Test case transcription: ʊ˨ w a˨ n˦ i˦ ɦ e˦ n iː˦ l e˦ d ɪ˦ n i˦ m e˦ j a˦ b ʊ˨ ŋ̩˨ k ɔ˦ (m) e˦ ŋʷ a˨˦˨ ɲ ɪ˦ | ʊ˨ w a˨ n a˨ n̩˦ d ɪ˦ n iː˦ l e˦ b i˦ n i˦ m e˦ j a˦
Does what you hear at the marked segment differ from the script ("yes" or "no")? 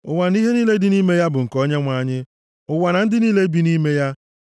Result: yes